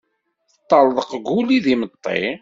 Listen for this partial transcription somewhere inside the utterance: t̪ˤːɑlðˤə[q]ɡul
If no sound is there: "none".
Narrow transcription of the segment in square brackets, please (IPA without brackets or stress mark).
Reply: q